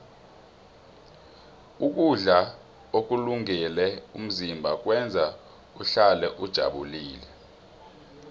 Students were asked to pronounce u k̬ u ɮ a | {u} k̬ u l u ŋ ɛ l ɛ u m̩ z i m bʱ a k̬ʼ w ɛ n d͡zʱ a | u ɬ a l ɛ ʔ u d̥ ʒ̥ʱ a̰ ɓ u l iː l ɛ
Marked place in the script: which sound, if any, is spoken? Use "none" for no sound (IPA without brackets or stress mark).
o